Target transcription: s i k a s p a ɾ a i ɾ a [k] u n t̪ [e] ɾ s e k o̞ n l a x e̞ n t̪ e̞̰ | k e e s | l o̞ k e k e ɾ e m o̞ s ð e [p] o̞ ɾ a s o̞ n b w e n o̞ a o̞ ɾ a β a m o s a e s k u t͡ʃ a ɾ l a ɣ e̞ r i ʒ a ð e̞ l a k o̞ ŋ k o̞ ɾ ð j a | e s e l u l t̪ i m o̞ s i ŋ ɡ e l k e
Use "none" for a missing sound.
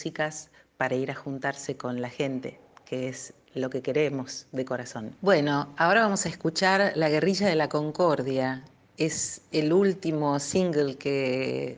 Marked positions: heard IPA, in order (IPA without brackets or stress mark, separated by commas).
x, a, k